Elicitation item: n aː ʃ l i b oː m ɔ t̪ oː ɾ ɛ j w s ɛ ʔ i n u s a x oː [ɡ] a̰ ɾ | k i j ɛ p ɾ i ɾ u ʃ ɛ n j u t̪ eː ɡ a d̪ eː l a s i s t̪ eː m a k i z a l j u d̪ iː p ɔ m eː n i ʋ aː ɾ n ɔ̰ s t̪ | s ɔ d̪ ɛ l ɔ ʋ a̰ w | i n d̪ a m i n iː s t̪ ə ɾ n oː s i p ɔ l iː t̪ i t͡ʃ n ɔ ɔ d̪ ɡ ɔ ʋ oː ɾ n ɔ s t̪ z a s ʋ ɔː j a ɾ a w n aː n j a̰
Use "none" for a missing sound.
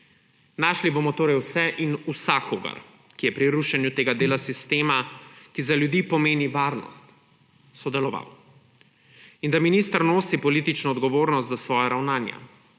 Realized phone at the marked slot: ɡ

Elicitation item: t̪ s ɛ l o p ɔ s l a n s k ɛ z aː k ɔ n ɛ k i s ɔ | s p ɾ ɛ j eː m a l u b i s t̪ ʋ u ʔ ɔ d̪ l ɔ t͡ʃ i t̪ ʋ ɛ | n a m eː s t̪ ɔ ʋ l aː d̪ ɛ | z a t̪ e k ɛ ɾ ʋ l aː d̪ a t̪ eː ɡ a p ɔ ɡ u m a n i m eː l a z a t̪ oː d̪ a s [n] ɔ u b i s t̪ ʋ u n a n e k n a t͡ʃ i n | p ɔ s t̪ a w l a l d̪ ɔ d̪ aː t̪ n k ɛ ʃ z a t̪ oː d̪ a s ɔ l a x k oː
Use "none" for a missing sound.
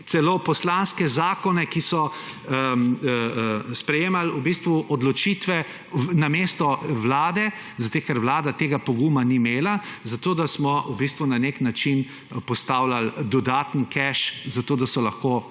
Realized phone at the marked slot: m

